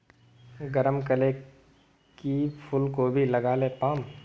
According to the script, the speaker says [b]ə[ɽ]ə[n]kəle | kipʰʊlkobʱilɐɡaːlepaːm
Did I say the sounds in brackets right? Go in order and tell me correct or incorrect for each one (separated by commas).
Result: incorrect, incorrect, incorrect